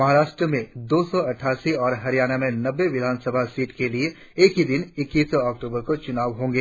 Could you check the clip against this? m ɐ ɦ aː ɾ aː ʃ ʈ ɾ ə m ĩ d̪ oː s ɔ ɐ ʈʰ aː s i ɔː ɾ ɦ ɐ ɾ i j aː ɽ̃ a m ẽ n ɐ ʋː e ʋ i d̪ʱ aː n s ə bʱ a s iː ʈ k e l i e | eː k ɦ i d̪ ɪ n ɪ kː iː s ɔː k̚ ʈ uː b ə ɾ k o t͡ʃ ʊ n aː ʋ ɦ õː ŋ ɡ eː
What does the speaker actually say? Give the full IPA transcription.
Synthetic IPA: m ɐ ɦ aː ɾ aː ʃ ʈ ɾ ə m ẽ d̪ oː s ɔ ɐ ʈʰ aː s i ɔː ɾ ɦ ɐ ɾ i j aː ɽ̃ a m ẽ n ɐ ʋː e ʋ ɪ d̪ʱ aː n s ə bʱ a s iː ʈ k e l i e | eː k ɦ i d̪ ɪ n ɪ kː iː s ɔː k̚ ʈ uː b ə ɾ k o t͡ʃ ʊ n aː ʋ ɦ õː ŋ ɡ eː